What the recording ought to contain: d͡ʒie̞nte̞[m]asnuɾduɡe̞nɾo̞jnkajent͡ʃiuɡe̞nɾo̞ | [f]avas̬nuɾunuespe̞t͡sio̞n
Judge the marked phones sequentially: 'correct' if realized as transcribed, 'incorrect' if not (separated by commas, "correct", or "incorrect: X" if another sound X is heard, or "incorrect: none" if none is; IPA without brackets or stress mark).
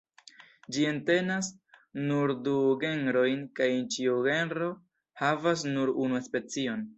incorrect: n, incorrect: h